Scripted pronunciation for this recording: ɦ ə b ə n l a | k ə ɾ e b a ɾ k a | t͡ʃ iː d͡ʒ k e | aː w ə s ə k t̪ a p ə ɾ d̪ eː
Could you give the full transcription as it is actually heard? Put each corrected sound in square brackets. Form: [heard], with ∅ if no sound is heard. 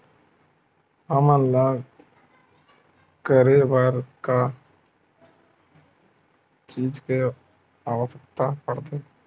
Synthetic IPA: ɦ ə [m] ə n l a | k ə ɾ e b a ɾ k a | t͡ʃ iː d͡ʒ k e | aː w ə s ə k t̪ a p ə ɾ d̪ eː